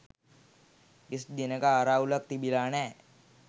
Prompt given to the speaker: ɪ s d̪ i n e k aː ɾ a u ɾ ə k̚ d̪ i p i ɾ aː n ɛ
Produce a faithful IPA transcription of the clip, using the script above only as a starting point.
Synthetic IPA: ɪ s d̪ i n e k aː ɾ a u l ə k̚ t̪ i b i l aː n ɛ